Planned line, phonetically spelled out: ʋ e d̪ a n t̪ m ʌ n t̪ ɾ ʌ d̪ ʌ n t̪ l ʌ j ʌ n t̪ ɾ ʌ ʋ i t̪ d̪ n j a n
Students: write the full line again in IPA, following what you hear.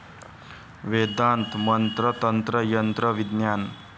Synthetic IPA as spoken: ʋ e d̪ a n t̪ m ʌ n t̪ ɾ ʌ t̪ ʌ n t̪ ɾ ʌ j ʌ n t̪ ɾ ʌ ʋ i d̪ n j a n